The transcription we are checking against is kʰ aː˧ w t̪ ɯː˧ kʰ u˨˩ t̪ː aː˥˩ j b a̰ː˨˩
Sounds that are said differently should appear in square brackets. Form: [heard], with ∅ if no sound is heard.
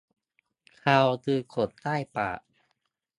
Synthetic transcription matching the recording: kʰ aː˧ w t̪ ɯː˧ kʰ [o˨˩] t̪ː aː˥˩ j [p] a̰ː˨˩

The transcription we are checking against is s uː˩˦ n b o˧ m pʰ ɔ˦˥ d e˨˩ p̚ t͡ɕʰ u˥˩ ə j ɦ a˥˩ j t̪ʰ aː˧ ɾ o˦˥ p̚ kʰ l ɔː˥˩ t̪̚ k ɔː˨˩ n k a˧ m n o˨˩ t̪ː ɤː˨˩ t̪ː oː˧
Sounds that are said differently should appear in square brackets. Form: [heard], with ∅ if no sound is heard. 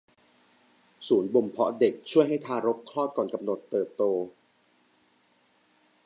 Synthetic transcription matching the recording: s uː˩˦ n b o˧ m pʰ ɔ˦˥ d e˨˩ [k̚] t͡ɕʰ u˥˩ ə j ɦ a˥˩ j t̪ʰ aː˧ ɾ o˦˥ p̚ kʰ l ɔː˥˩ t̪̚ k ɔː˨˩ n k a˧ m n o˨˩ t̪ː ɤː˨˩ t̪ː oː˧

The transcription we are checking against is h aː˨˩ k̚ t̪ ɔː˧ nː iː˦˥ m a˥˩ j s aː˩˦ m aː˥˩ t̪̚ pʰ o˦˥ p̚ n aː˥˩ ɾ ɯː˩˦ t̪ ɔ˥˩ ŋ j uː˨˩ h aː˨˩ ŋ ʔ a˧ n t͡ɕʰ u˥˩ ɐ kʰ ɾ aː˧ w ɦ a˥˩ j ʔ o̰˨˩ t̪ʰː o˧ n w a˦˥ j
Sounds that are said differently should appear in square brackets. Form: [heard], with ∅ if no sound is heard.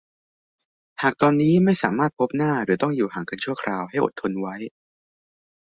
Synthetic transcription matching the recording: h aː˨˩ k̚ t̪ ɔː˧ nː iː˦˥ m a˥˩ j s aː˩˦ m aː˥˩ t̪̚ pʰ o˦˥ p̚ n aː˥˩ ɾ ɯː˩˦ t̪ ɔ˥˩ ŋ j uː˨˩ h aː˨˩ ŋ [k] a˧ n t͡ɕʰ u˥˩ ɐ kʰ ɾ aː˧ w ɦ a˥˩ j ʔ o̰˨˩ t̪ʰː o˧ n w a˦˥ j

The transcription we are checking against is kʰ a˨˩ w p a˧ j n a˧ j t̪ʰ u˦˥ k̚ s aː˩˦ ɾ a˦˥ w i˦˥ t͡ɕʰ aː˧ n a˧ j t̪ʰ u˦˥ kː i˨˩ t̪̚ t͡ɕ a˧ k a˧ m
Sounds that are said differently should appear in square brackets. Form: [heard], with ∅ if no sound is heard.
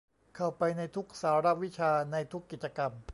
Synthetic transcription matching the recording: kʰ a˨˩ w p a˧ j n a˧ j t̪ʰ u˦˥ k̚ s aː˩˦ ɾ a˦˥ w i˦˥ t͡ɕʰ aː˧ n a˧ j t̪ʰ u˦˥ kː i˨˩ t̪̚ t͡ɕ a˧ k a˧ m

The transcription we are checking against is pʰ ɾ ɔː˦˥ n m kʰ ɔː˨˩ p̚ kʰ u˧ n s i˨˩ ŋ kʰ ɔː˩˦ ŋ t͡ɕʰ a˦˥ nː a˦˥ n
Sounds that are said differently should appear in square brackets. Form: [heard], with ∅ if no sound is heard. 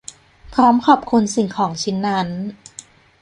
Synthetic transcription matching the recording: pʰ ɾ ɔː˦˥ [∅] m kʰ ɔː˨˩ p̚ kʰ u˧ n s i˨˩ ŋ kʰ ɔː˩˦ ŋ t͡ɕʰ [i˦˥] nː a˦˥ n

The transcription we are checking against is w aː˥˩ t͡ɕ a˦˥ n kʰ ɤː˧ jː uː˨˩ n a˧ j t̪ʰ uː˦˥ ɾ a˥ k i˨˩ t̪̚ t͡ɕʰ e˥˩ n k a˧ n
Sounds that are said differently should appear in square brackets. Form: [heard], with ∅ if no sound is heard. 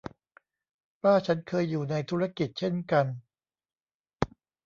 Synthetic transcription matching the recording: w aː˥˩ [t͡ɕʰ] a˦˥ n kʰ ɤː˧ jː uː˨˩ n a˧ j t̪ʰ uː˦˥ ɾ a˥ k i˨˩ t̪̚ t͡ɕʰ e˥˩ n k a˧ n

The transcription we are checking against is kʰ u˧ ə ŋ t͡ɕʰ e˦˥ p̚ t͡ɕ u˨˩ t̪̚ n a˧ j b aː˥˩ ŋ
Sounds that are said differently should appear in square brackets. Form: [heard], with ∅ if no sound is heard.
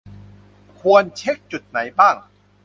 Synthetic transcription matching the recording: kʰ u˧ ə [n] t͡ɕʰ e˦˥ [k̚] t͡ɕ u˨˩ t̪̚ n [a˩˦] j b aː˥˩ ŋ

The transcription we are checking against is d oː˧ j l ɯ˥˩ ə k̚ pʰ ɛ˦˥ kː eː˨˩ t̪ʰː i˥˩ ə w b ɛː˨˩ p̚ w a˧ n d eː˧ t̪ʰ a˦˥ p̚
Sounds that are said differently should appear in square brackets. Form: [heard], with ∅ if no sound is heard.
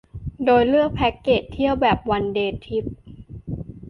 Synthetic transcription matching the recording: d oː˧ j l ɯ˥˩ ə k̚ pʰ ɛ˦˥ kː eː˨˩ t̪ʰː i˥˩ ə w b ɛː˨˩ p̚ w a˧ n d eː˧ t̪ʰ [i˦˥] p̚

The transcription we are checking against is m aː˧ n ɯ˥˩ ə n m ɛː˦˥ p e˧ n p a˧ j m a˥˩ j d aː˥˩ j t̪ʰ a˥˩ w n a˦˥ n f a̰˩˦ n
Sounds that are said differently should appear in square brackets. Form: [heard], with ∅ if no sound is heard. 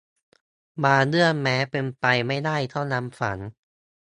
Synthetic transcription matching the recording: m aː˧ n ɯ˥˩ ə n m ɛː˦˥ p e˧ n p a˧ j m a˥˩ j d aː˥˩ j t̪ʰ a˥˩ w n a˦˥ [m] f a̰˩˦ n

